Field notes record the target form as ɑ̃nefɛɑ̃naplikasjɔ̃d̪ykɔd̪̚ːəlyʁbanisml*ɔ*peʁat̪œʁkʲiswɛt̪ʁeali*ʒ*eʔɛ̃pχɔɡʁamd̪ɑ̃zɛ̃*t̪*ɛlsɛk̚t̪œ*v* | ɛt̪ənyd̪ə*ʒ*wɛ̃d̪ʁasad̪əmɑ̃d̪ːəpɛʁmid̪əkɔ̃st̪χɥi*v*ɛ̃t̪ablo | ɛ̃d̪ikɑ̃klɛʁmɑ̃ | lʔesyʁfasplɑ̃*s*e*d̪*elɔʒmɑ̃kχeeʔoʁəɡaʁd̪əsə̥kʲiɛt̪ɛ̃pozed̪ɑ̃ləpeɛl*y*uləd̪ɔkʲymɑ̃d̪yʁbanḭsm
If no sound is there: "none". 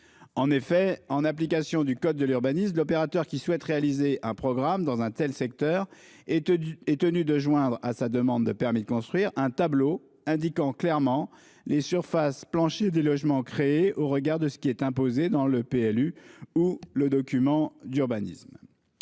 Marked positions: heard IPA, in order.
ɔ, z, t̪, ʁ, ʒ, ʁ, ʃ, d̪, y

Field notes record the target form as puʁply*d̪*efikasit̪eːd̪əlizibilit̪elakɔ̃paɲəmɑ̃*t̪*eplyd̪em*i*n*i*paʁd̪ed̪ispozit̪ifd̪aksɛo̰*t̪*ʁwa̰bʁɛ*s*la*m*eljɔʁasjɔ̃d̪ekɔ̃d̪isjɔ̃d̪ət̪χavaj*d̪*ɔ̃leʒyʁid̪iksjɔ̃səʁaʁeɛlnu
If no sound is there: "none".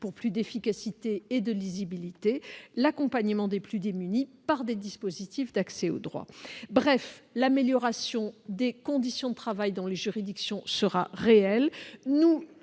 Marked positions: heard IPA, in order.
d̪, d̪, y, i, d̪, f, m, d̪

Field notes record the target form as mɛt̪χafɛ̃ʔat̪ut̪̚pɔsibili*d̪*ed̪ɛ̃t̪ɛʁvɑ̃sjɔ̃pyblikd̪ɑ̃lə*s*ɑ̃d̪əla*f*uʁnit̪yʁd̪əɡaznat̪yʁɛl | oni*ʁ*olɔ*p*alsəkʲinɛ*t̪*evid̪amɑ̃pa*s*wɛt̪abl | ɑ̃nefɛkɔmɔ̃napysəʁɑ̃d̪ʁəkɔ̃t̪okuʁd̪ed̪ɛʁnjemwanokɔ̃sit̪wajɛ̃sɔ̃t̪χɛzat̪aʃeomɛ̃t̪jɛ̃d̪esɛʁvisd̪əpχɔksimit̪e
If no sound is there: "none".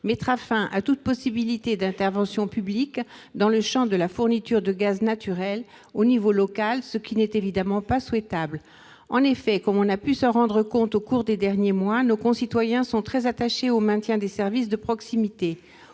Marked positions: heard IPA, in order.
t̪, ʃ, f, v, k, t̪, s

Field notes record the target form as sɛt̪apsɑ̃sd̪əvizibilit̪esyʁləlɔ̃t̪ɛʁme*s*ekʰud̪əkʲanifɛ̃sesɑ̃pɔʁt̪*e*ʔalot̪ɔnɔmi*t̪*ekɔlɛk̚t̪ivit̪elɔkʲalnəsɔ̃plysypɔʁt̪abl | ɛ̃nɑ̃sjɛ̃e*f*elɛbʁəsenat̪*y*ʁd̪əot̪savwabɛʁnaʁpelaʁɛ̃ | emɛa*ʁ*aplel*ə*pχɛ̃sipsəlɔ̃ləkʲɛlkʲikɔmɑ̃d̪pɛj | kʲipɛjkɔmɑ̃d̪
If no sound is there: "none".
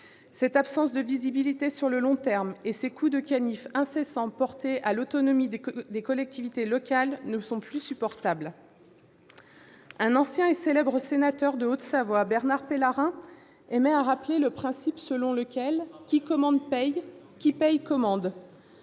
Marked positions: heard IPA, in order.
s, e, d̪, s, œ, ʁ, ə

